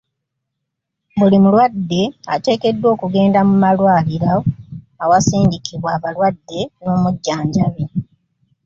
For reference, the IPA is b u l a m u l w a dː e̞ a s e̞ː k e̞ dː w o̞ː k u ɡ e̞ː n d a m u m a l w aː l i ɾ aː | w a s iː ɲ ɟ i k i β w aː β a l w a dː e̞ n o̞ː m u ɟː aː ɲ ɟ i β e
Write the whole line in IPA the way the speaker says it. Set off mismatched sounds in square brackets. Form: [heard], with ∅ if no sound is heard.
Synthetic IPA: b u l [i] m u l w a dː e̞ a [t] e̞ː k e̞ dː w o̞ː k u ɡ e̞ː n d a m u m a l w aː l i ɾ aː | w a s iː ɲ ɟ i k i β w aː β a l w a dː e̞ n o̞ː m u ɟː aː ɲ ɟ [a] β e